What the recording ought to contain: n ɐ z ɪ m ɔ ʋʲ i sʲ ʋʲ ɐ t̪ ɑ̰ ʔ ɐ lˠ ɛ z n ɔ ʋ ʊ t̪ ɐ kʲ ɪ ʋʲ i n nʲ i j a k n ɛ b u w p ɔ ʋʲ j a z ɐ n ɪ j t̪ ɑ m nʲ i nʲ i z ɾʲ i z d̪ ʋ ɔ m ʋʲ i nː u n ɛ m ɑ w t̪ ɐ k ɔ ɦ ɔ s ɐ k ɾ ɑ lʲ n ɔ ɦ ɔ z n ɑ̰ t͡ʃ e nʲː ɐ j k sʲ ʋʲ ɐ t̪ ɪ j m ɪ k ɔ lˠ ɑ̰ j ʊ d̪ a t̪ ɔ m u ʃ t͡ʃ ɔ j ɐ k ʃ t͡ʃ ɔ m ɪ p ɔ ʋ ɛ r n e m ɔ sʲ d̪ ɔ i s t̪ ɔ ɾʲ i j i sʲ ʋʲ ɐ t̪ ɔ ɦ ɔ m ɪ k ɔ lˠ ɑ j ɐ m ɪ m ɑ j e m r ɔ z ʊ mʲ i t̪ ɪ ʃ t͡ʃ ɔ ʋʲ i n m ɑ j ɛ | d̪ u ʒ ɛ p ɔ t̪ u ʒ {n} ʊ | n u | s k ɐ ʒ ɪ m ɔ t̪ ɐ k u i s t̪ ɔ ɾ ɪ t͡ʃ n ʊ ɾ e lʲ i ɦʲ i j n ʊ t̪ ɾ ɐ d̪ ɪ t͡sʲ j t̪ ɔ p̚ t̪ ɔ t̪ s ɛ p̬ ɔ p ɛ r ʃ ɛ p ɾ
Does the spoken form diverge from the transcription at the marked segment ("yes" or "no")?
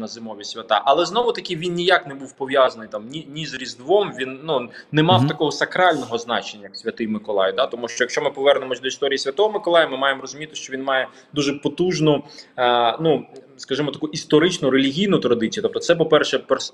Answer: no